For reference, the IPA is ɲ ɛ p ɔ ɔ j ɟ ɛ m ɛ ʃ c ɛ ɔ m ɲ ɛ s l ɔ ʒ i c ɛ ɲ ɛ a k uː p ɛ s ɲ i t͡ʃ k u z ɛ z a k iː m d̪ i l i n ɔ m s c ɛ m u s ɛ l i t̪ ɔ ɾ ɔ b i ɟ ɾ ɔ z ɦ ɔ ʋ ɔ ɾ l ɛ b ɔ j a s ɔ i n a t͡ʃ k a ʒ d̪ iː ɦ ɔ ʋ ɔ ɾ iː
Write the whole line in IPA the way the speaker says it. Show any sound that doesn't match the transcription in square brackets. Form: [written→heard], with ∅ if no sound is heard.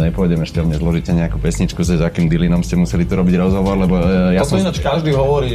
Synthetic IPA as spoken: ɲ ɛ p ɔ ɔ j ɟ ɛ m ɛ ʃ c ɛ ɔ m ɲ ɛ [s→z] l ɔ ʒ i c ɛ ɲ ɛ a k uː p ɛ s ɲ i t͡ʃ k u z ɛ z a k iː m d̪ i l i n ɔ m s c ɛ m u s ɛ l i t̪ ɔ ɾ ɔ b i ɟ ɾ ɔ z ɦ ɔ ʋ ɔ ɾ l ɛ b ɔ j a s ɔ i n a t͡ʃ k a ʒ d̪ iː ɦ ɔ ʋ ɔ ɾ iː